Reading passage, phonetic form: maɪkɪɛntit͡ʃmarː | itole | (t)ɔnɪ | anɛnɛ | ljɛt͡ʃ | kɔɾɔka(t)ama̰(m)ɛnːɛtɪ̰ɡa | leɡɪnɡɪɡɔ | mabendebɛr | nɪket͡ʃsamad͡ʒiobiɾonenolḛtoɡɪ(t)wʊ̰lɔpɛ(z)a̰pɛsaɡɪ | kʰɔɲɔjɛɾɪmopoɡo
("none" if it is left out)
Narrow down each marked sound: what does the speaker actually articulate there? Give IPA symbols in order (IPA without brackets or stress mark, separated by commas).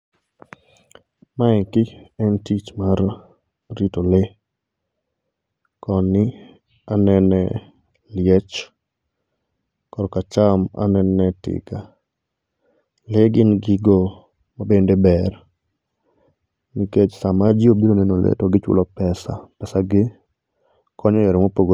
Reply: k, t͡ʃ, n, t͡ʃ, s